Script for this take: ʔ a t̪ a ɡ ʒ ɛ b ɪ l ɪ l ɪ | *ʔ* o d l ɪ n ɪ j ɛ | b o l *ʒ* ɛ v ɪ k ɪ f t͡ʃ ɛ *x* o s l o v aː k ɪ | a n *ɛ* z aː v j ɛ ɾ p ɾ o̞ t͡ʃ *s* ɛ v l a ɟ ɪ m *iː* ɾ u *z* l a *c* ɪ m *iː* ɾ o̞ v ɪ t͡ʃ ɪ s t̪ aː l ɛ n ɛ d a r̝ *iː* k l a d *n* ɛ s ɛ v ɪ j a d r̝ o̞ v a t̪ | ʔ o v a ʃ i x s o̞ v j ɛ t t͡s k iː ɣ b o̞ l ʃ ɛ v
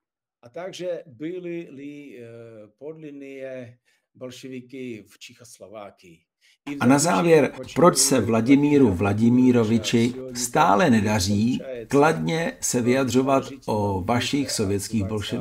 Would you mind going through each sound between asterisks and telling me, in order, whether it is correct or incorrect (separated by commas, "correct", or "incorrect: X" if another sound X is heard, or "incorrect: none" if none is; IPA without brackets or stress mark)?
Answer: incorrect: p, incorrect: ʃ, correct, incorrect: a, correct, correct, incorrect: v, incorrect: ɟ, correct, correct, incorrect: ɲ